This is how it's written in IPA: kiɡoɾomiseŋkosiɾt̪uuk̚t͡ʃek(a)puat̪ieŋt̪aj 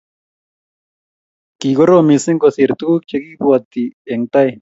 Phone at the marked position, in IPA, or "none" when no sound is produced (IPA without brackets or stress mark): i